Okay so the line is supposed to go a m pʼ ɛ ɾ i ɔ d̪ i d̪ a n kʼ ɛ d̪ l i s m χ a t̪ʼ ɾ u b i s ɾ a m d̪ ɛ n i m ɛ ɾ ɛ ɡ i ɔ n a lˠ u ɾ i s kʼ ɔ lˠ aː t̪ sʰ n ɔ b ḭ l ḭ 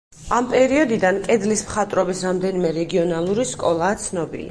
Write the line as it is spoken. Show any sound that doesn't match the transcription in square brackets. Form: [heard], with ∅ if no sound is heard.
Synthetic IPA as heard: a m pʼ ɛ ɾ i ɔ d̪ i d̪ a n kʼ ɛ d̪ l i s m χ a t̪ʼ ɾ [ɔ] b i s ɾ a m d̪ ɛ n i m ɛ ɾ ɛ ɡ i ɔ n a lˠ u ɾ i s kʼ ɔ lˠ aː t̪ sʰ n ɔ b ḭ l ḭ